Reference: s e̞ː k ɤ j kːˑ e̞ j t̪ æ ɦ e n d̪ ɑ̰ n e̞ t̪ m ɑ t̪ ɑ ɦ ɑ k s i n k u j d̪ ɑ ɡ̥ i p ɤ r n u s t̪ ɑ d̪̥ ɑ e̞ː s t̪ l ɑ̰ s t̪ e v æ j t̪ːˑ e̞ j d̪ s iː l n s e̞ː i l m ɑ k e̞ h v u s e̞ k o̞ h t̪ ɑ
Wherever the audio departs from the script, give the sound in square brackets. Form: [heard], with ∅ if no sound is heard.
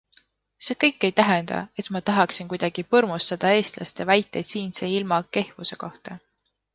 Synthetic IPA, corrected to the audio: s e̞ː k ɤ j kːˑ e̞ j t̪ æ ɦ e n d̪ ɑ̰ [∅] e̞ t̪ m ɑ t̪ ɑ ɦ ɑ k s i n k u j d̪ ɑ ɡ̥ i p ɤ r [m] u s t̪ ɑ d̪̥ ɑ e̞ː s t̪ l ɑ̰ s t̪ e v æ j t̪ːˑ e̞ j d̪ s iː [∅] n s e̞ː i l m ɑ k e̞ h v u s e̞ k o̞ h t̪ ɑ